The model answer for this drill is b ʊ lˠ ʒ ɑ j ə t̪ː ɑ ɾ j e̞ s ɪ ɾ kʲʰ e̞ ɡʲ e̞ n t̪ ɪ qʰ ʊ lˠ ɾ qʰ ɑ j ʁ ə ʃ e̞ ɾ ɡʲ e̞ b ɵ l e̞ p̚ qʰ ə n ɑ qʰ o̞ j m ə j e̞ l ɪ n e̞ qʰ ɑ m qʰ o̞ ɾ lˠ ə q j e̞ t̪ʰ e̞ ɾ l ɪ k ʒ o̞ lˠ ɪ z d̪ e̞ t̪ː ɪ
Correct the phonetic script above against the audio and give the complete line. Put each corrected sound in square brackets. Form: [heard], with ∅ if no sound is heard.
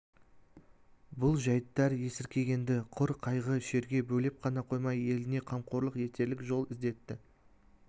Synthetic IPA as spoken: b ʊ lˠ ʒ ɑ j ə t̪ː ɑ ɾ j e̞ s ɪ ɾ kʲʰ e̞ ɡʲ e̞ n [d̪] ɪ qʰ ʊ [∅] ɾ qʰ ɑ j ʁ ə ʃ e̞ ɾ ɡʲ e̞ b ɵ l e̞ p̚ qʰ [ɑ] n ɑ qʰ o̞ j m [ɑ] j e̞ l ɪ n e̞ qʰ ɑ m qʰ o̞ ɾ lˠ ə q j e̞ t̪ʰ e̞ ɾ l ɪ k ʒ o̞ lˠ ɪ z d̪ e̞ t̪ː ɪ

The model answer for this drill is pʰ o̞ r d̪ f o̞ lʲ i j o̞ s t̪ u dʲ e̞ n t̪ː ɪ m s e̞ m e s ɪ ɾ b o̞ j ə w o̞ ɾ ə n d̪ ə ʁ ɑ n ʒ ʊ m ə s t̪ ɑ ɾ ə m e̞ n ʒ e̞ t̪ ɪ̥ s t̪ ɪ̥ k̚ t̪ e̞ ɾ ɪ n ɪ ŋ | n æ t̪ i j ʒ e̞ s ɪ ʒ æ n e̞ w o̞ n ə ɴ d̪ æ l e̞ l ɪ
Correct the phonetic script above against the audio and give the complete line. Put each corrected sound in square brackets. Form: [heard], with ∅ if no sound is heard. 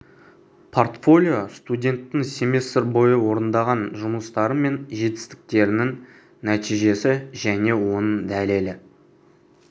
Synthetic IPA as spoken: pʰ o̞ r [t̪] f o̞ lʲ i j o̞ s t̪ u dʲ e̞ n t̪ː ɪ [ŋ] s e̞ m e s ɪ ɾ b o̞ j ə w o̞ ɾ ə n d̪ [ɑ] ʁ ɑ n ʒ ʊ m ə s t̪ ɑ ɾ ə m e̞ n ʒ e̞ t̪ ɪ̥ s t̪ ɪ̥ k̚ t̪ e̞ ɾ ɪ n ɪ ŋ | n æ t̪ i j ʒ e̞ s ɪ ʒ æ n e̞ w o̞ n ə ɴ d̪ æ l e̞ l ɪ

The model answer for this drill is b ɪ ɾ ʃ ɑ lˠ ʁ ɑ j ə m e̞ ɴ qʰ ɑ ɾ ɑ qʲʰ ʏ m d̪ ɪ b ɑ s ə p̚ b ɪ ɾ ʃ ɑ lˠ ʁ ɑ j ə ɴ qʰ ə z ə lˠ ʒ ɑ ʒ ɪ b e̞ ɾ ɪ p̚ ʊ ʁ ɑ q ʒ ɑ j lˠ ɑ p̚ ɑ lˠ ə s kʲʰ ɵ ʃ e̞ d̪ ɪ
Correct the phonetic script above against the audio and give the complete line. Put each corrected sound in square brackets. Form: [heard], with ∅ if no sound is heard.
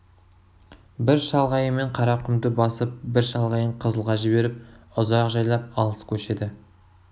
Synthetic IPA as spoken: b ɪ ɾ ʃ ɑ lˠ ʁ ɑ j ə m e̞ ɴ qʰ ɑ ɾ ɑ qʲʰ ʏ m d̪ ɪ b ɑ s ə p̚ b ɪ ɾ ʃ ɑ lˠ ʁ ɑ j ə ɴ qʰ ə z ə lˠ [ʁ] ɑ ʒ ɪ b e̞ ɾ ɪ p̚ ʊ [z] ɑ q ʒ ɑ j lˠ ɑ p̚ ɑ lˠ ə s kʲʰ ɵ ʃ e̞ d̪ ɪ

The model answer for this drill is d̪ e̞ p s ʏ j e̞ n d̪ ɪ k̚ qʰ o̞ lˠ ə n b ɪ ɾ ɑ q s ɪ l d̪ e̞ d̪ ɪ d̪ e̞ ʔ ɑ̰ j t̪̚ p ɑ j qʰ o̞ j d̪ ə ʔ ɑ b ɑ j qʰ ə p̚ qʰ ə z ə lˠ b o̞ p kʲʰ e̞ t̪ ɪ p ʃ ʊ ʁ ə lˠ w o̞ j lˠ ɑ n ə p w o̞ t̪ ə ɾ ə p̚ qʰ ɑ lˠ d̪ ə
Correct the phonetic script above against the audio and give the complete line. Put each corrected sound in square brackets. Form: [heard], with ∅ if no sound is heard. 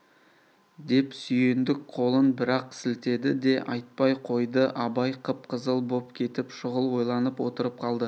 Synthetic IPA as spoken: d̪ e̞ p s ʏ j e̞ n d̪ ɪ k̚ qʰ o̞ lˠ ə n b ɪ ɾ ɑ q s ɪ l [t̪] e̞ d̪ ɪ d̪ e̞ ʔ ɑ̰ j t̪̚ p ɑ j qʰ o̞ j d̪ ə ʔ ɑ b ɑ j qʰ ə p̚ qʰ ə z ə lˠ b o̞ p kʲʰ e̞ t̪ ɪ p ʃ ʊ ʁ ə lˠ w o̞ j lˠ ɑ n ə p w o̞ t̪ ə ɾ ə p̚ qʰ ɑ lˠ d̪ ə

